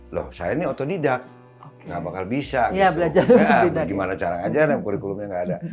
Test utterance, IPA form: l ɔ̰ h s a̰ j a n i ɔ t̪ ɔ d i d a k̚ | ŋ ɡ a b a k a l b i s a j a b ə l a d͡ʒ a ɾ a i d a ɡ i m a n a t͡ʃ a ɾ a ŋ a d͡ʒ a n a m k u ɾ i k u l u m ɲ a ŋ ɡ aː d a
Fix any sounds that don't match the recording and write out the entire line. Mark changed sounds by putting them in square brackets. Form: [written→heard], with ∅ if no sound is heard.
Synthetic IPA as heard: l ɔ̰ h s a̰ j a n i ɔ t̪ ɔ d i d a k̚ | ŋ ɡ a b a k a l b i s a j a b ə l a d͡ʒ a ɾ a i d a ɡ i m a n a t͡ʃ a ɾ a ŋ a d͡ʒ a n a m k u ɾ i k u l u m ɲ a ŋ ɡ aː d a